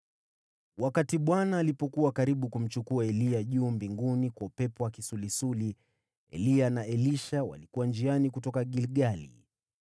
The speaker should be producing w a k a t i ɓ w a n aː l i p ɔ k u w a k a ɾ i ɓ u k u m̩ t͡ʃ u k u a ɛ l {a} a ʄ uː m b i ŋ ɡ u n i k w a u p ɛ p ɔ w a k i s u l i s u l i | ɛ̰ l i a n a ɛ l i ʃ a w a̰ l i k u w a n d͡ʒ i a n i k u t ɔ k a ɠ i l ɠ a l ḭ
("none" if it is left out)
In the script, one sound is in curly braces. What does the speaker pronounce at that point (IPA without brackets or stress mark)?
i